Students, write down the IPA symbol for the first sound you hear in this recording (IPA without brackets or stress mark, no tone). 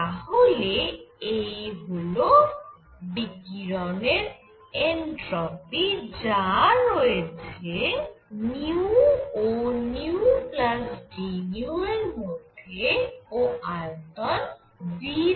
a